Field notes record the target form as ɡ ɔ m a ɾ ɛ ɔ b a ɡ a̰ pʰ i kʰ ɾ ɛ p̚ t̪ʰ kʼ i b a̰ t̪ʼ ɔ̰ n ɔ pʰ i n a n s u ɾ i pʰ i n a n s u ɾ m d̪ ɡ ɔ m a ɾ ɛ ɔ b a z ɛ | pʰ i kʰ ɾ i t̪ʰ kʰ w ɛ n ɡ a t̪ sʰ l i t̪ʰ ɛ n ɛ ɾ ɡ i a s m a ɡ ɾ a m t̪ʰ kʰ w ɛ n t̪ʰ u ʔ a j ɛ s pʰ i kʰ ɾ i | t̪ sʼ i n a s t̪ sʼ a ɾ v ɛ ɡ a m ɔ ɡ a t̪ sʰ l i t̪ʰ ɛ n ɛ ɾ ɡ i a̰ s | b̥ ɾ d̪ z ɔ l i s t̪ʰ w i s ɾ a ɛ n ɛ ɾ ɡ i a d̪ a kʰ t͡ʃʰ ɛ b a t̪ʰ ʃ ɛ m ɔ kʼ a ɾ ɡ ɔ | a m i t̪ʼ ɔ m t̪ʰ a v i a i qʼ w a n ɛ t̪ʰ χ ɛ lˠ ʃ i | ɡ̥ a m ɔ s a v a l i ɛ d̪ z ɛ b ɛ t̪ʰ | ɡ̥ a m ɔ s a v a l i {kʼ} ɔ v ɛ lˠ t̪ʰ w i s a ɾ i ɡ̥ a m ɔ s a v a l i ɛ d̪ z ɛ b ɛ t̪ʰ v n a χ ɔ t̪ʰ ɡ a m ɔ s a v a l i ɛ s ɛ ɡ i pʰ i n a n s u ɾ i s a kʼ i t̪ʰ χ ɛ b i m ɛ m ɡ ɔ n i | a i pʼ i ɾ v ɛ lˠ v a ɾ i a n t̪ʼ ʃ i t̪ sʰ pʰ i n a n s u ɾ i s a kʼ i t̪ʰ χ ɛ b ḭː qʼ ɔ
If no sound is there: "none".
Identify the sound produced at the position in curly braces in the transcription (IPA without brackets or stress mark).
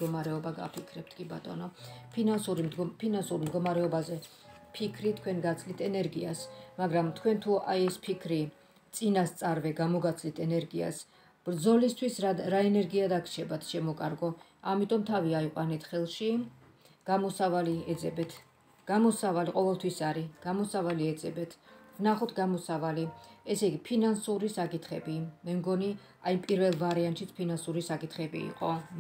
qʼ